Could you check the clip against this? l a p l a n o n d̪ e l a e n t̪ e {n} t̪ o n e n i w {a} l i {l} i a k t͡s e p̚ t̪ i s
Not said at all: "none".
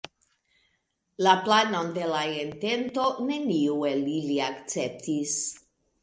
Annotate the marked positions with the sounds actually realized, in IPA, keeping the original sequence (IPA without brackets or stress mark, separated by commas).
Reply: n, e, l